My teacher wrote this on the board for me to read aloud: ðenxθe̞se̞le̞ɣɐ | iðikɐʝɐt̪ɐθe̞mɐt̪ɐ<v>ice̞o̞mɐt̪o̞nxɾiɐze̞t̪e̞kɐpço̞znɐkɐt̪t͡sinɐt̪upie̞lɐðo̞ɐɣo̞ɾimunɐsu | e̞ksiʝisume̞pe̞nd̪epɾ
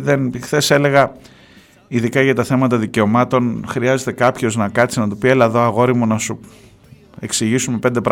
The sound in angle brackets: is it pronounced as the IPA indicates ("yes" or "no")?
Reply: no